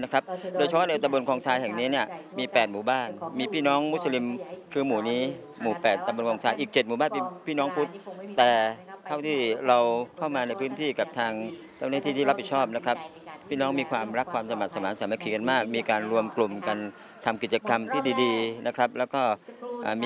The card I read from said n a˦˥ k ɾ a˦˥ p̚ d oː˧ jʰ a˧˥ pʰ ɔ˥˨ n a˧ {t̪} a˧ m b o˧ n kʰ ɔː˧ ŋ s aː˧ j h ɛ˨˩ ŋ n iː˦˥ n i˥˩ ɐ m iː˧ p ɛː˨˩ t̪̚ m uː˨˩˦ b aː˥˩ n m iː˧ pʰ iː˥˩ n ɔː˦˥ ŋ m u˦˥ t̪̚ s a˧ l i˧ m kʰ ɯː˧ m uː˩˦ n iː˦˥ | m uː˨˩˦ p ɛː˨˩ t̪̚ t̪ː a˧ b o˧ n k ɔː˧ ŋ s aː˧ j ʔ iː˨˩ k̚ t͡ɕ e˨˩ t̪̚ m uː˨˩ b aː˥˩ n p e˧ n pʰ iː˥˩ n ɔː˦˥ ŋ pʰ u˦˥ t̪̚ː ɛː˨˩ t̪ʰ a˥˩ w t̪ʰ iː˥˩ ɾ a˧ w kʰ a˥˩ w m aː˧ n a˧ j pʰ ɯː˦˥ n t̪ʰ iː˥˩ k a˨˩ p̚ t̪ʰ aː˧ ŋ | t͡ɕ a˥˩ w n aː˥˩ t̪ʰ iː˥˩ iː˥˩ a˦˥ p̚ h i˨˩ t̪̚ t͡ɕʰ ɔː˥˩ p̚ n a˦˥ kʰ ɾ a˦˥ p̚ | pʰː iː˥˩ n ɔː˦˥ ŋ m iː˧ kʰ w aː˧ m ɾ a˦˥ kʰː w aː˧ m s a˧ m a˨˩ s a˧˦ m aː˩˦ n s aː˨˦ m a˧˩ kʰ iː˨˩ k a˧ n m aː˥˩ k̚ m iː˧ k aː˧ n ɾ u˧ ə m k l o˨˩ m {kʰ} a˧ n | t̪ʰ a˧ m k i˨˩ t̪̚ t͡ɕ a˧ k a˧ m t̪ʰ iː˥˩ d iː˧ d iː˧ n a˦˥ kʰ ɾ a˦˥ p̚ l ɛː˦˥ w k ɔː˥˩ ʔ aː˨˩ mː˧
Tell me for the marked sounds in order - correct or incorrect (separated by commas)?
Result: correct, incorrect